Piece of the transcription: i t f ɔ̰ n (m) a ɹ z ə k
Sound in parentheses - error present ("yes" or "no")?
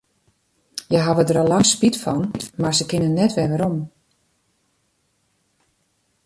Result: no